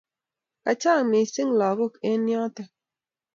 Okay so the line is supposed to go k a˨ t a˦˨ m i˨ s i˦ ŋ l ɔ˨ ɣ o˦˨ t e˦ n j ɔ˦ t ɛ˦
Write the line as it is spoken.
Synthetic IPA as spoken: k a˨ t͡ʃ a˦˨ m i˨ s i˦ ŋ l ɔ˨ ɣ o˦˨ k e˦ n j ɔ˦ t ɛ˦